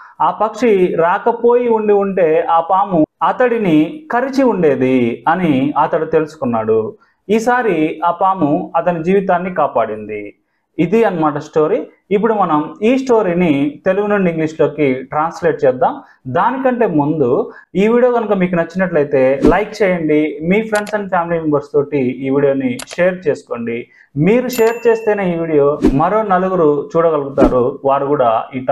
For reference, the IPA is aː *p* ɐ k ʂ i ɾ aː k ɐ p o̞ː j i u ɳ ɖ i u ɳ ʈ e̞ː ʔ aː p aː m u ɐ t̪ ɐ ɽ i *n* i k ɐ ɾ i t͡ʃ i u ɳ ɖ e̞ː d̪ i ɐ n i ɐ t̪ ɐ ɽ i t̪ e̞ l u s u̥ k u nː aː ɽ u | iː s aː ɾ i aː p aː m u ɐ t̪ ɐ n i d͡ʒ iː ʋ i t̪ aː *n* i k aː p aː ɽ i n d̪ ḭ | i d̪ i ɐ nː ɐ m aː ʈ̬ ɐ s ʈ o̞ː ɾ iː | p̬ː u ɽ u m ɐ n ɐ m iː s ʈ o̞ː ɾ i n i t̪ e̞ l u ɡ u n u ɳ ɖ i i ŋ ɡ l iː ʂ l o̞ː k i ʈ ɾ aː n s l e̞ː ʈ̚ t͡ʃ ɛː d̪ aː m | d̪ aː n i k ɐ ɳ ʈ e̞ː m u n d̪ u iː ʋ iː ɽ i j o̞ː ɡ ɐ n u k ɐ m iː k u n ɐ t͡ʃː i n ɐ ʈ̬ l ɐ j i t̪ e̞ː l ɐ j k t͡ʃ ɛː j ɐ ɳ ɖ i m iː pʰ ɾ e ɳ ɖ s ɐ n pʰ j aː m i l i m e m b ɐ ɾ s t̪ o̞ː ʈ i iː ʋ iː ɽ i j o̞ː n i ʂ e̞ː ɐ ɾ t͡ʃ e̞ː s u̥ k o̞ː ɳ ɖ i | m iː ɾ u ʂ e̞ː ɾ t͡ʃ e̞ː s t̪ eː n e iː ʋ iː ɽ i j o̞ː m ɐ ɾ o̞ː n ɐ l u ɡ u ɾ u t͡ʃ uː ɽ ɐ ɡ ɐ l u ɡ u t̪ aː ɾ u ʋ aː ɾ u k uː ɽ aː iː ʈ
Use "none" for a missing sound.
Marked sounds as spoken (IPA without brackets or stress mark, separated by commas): p, n, nː